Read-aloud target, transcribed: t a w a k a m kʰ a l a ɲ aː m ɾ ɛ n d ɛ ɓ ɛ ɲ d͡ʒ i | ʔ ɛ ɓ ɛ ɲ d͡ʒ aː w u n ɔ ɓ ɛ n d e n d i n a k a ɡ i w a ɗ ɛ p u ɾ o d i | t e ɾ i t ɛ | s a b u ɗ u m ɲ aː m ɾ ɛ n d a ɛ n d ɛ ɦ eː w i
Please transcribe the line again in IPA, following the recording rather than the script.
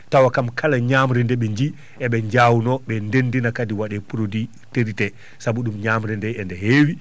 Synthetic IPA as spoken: t a w a k a m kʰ a l a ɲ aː m ɾ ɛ n d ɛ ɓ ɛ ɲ d͡ʒ i | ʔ ɛ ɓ ɛ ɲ d͡ʒ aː w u n ɔ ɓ ɛ n d e n d i n a k a d i w a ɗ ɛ p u ɾ o d i | t e ɾ i t ɛ | s a b u ɗ u m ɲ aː m ɾ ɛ n d ɛ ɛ n d ɛ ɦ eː w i